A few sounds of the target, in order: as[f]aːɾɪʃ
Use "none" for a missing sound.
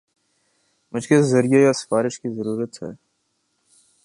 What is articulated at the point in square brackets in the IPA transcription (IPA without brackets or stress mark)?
f